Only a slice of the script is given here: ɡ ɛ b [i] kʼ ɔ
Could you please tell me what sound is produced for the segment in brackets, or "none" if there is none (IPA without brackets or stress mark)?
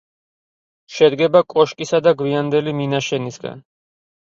a